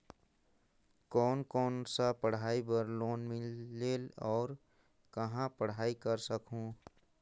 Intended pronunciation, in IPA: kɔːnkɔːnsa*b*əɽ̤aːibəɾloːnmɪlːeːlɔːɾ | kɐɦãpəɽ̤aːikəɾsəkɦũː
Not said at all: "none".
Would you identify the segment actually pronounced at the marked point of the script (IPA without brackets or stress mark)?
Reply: p